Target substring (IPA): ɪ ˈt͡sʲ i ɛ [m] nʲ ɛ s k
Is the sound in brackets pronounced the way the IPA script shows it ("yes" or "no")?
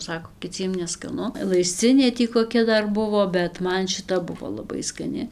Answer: yes